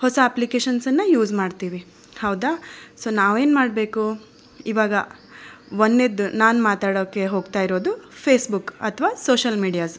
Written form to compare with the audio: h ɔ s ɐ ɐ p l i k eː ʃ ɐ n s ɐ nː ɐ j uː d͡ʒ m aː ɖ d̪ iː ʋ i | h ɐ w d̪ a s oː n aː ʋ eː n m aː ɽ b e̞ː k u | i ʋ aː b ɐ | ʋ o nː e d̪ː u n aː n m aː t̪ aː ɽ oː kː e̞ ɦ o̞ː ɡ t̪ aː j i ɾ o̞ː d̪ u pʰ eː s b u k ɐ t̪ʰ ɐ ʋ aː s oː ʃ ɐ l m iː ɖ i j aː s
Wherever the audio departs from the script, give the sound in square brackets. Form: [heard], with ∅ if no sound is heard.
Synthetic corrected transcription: h ɔ s ɐ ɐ p l i k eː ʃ ɐ n s ɐ nː ɐ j uː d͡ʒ m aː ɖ [t̪] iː ʋ i | h ɐ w d̪ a s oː n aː ʋ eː n m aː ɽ b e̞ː k u | i ʋ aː [ɡ] ɐ | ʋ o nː e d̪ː u n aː n m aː t̪ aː ɽ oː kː e̞ ɦ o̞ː ɡ t̪ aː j i ɾ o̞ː d̪ u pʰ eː s b u k ɐ t̪ʰ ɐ ʋ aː s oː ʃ ɐ l m iː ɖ i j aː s

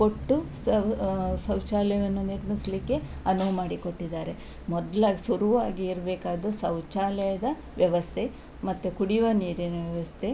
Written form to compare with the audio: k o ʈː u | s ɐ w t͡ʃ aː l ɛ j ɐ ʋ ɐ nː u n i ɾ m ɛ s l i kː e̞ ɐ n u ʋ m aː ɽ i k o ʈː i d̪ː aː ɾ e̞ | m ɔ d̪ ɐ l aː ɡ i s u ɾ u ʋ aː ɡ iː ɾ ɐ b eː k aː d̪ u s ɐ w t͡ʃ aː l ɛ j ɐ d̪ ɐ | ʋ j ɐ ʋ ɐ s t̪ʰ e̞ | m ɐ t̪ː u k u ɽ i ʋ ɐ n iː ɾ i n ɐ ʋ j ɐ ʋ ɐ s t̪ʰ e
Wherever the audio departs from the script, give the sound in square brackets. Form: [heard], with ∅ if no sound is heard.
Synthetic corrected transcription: k o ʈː u | s ɐ w t͡ʃ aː l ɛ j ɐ ʋ ɐ nː u n i ɾ m [i] s l i kː e̞ ɐ n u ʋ m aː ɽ i k o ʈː i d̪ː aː ɾ e̞ | m ɔ d̪ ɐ l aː ɡ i s u ɾ u ʋ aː ɡ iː ɾ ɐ b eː k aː d̪ u s ɐ w t͡ʃ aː l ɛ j ɐ d̪ ɐ | ʋ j ɐ ʋ ɐ s t̪ʰ e̞ | m ɐ t̪ː u k u ɽ i ʋ ɐ n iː ɾ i n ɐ ʋ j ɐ ʋ ɐ s t̪ʰ e

